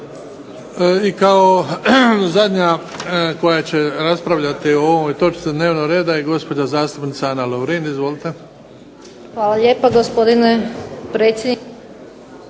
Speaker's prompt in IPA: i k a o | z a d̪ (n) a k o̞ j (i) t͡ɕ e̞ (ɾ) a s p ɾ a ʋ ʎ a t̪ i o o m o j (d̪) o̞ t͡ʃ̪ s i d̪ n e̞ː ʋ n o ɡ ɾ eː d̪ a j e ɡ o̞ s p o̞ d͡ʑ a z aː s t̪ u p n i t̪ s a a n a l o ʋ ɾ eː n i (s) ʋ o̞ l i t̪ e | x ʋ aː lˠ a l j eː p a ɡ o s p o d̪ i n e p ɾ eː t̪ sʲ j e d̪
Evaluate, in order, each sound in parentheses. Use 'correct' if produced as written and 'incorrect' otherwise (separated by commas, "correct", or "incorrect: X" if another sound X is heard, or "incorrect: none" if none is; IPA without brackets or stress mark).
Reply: incorrect: ɲ, incorrect: a, correct, incorrect: t̪, incorrect: z